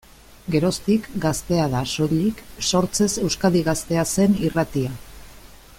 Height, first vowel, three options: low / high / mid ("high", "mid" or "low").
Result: mid